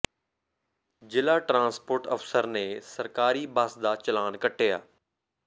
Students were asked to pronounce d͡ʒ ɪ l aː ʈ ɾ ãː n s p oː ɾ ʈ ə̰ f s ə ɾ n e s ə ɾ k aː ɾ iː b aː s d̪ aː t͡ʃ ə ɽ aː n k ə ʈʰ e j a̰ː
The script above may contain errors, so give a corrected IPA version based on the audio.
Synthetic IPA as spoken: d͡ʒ ɪ l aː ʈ ɾ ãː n s p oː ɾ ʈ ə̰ f s ə ɾ n e s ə ɾ k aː ɾ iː b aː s d̪ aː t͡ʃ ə l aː n k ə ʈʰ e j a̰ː